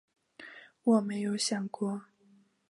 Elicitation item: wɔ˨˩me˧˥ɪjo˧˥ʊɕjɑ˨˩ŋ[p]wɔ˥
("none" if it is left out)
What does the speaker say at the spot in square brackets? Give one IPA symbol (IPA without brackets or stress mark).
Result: k